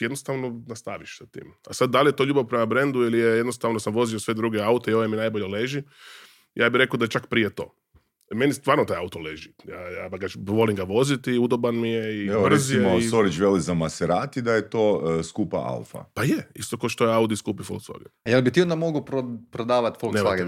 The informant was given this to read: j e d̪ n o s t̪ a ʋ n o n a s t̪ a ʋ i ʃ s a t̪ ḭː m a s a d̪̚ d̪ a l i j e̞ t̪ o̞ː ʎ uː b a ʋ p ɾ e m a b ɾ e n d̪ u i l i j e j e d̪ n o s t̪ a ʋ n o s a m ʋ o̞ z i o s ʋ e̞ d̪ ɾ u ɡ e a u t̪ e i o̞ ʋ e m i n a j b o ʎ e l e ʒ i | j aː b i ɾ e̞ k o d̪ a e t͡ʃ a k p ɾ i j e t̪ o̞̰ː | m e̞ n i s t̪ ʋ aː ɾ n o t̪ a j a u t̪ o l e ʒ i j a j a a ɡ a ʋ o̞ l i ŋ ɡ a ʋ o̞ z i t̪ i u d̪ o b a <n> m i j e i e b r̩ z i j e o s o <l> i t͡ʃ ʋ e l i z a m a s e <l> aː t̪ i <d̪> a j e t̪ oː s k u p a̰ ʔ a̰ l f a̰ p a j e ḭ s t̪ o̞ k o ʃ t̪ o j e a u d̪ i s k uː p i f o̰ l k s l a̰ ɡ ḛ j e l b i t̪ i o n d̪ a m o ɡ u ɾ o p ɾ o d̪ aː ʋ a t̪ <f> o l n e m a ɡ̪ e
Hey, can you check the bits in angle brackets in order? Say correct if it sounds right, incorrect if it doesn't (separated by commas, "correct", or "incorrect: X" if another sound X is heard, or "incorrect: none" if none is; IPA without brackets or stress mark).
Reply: correct, incorrect: ɾ, incorrect: ɾ, correct, correct